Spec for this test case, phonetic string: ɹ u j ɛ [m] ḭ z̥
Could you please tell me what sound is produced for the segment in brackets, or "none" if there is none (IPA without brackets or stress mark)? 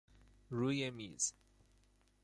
m